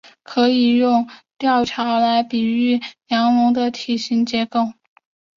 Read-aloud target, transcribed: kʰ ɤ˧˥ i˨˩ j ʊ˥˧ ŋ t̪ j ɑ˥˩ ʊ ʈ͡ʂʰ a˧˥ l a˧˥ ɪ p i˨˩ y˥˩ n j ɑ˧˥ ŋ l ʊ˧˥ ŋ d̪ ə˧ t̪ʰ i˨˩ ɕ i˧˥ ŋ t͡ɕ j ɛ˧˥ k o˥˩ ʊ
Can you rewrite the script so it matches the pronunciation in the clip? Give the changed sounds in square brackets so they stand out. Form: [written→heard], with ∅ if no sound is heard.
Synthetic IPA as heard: kʰ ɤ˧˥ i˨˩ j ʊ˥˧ ŋ t̪ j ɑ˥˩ ʊ ʈ͡ʂʰ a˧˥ l a˧˥ ɪ p i˨˩ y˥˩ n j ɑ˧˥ ŋ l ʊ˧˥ ŋ d̪ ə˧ t̪ʰ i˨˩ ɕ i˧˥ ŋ t͡ɕ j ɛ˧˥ k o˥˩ ʊ